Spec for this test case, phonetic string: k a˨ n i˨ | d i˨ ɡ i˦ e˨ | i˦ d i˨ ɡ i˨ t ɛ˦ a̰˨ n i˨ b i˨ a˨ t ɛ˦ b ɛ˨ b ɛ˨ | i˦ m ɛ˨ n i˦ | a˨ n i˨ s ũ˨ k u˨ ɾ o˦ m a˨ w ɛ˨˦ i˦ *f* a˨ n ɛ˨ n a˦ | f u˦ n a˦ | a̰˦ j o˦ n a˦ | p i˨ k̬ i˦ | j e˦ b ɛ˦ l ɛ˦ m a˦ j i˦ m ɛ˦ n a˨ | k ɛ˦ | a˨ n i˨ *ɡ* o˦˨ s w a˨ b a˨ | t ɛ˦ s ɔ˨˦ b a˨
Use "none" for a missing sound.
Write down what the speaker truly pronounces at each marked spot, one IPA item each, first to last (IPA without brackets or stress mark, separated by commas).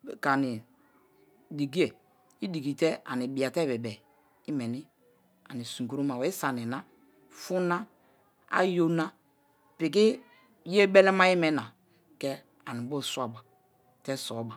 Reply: s, b